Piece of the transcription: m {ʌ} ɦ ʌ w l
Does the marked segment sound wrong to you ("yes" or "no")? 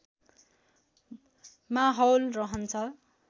yes